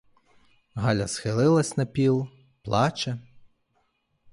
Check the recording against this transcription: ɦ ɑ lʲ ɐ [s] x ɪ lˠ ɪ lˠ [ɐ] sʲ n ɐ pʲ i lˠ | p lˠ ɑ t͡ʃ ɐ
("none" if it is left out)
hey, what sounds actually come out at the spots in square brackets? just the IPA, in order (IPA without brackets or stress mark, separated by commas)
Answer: s, ɐ